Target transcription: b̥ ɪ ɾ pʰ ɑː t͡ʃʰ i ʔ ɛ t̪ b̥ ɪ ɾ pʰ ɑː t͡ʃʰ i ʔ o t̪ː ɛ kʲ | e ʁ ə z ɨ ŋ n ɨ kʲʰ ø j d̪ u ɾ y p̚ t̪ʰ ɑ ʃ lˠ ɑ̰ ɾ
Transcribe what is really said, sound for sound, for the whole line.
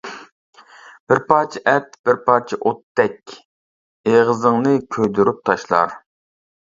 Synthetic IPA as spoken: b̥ ɪ ɾ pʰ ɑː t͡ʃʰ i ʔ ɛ t̪ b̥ ɪ ɾ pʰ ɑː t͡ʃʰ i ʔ o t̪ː ɛ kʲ | e ʁ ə z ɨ ŋ n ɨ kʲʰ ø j d̪ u ɾ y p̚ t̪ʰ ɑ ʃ lˠ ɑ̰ ɾ

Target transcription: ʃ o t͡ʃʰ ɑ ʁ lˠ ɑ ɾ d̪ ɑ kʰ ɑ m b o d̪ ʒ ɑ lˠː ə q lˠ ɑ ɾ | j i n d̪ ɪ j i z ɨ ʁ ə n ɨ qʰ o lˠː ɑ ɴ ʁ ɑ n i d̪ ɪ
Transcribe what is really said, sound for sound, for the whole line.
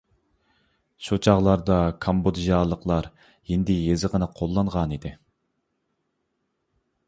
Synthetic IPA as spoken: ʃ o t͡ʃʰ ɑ ʁ lˠ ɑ ɾ d̪ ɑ kʰ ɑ m b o d̪ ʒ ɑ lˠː ə q lˠ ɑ ɾ | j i n d̪ ɪ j e z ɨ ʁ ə n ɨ qʰ o lˠː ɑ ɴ ʁ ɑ n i d̪ ɪ

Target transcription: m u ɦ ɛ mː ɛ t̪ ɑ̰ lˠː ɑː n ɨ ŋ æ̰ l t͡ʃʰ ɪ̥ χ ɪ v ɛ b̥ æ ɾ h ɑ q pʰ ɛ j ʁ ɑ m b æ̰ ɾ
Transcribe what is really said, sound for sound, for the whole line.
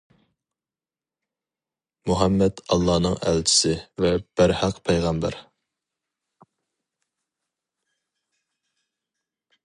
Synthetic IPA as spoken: m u ɦ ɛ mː ɛ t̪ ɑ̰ lˠː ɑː n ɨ ŋ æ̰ l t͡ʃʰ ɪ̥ s ɪ v ɛ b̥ æ ɾ h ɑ q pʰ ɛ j ʁ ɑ m b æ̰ ɾ

